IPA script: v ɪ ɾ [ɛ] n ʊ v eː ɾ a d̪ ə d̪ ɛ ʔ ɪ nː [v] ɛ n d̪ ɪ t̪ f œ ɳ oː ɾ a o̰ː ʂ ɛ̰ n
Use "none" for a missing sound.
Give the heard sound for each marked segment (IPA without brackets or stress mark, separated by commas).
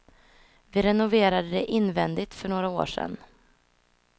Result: ɛ, v